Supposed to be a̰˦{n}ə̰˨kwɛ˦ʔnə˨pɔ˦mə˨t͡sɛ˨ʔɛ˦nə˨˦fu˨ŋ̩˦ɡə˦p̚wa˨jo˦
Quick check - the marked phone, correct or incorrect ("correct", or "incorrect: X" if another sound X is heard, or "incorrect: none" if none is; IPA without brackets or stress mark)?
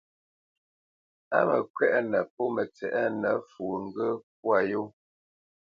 incorrect: m